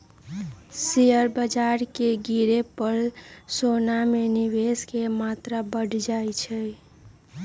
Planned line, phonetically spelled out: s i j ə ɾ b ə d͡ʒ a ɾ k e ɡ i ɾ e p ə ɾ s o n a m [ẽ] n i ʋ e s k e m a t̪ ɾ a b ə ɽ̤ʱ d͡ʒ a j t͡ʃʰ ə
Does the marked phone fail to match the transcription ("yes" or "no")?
yes